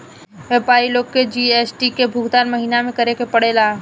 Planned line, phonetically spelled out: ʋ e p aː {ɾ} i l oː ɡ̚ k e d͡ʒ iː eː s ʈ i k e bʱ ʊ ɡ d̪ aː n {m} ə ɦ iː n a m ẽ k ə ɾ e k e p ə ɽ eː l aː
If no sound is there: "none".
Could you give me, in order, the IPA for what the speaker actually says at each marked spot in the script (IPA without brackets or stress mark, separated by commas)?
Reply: ɾ, m